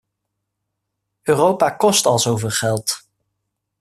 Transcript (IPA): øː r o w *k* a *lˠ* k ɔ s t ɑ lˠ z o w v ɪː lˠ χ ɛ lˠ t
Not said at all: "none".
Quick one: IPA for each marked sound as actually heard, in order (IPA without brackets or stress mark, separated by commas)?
p, none